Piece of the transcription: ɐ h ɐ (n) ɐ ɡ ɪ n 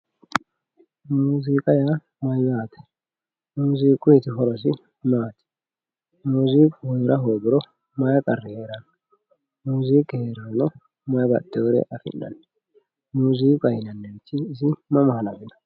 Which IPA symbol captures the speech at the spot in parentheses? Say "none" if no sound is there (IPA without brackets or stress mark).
n